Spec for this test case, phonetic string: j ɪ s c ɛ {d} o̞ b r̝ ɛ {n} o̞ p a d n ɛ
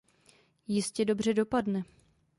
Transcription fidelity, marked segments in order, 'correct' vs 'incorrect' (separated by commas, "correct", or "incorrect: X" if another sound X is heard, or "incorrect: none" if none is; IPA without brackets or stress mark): correct, incorrect: d